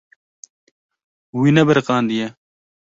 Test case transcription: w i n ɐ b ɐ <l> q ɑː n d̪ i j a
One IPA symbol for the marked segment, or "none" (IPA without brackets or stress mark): ɾ